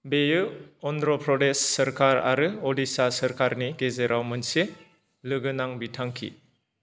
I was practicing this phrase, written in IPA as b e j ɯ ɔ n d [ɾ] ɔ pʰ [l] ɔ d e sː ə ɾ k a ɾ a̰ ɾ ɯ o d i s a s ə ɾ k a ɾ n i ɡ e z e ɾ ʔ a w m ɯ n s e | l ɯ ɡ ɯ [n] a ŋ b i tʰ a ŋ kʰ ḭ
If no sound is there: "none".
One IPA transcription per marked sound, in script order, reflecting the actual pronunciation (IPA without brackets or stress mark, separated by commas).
ɾ, ɾ, n